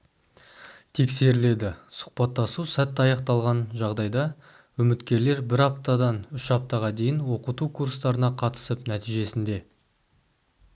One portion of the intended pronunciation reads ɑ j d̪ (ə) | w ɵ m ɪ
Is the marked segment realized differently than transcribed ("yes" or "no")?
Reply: yes